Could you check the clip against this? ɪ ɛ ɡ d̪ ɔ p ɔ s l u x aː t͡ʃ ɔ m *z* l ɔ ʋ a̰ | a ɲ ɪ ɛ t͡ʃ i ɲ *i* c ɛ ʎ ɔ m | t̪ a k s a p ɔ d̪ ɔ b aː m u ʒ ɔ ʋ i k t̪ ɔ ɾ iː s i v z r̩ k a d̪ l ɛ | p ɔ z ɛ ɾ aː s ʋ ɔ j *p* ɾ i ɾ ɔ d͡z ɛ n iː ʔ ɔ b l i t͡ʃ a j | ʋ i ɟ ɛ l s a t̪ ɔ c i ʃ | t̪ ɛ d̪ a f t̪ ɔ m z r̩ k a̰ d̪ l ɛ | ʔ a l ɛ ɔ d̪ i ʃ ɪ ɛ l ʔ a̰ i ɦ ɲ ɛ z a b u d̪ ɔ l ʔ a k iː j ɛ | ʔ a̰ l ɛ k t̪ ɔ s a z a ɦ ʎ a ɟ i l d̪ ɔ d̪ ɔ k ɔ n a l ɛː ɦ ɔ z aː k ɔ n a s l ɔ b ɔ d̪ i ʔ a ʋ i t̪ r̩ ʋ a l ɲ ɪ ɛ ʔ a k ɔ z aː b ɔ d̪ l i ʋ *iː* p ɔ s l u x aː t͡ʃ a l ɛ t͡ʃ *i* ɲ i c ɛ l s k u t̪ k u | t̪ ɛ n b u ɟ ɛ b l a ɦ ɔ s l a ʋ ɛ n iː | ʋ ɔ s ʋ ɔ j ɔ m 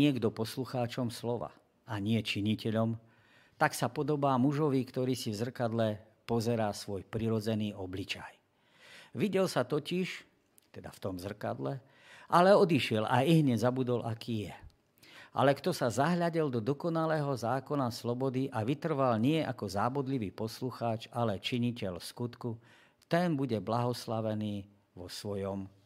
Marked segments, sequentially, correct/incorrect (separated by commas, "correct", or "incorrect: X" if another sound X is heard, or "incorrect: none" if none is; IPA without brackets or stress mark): incorrect: s, correct, correct, correct, correct